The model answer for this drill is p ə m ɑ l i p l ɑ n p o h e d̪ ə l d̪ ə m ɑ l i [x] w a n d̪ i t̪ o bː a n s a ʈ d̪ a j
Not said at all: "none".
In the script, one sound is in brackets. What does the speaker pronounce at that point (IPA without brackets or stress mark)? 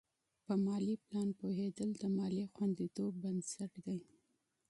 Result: x